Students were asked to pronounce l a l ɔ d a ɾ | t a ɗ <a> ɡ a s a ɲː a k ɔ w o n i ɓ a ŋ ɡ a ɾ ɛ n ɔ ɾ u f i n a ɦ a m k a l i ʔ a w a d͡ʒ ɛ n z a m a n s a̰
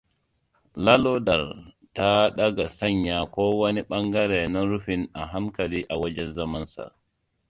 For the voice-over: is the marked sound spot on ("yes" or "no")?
yes